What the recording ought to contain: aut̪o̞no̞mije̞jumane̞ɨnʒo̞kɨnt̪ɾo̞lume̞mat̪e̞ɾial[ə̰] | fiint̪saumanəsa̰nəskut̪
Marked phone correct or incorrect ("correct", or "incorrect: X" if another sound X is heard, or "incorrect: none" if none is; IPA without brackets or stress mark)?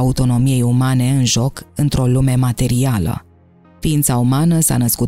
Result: correct